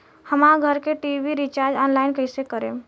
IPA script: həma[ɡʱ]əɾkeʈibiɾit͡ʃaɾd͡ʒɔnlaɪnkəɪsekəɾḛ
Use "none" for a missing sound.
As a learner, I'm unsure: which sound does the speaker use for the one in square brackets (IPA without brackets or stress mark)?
ɡʱ